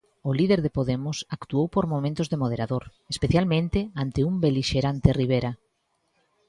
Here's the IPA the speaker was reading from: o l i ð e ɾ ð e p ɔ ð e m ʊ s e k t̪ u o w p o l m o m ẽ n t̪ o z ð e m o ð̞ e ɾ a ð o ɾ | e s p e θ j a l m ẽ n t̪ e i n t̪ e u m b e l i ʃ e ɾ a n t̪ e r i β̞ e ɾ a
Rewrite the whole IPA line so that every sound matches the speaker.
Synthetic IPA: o l i ð e ɾ ð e p o ð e m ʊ s a k t̪ u o w p o ɾ m o m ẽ n t̪ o z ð e m o ð̞ e ɾ a ð o ɾ | e s p e θ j a l m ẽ n t̪ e a n t̪ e u m b e l i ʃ e ɾ a n t̪ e r i β̞ e ɾ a